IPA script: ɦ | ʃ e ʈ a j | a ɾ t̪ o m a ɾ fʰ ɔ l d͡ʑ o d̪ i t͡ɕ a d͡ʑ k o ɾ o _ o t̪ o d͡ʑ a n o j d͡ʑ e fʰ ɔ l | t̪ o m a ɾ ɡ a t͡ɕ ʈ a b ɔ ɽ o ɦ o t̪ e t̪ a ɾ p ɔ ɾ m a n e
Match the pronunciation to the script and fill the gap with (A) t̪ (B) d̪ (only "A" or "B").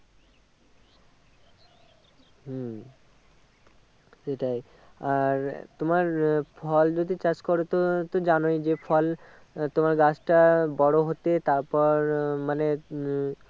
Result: A